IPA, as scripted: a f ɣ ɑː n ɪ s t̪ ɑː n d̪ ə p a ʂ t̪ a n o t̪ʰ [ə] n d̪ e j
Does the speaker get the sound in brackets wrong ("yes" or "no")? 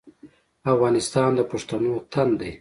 yes